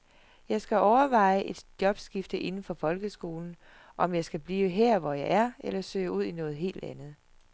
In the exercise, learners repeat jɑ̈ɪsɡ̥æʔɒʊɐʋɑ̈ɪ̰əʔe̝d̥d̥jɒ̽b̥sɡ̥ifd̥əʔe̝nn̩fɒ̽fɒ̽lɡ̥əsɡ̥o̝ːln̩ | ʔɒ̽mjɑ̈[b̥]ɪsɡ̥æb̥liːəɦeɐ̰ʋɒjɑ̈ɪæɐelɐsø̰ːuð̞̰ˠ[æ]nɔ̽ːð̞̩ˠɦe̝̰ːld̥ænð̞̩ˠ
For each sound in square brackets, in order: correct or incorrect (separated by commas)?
incorrect, incorrect